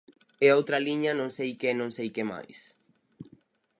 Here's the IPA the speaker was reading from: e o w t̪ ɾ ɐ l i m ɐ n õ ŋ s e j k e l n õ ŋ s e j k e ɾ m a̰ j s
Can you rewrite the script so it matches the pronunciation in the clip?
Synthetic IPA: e o w t̪ ɾ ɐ l i ɲ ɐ n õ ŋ s e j k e n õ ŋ s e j k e m a̰ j s